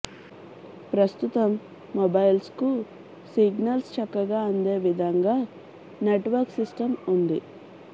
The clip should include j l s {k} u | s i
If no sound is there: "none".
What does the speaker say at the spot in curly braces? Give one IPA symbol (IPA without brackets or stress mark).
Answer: k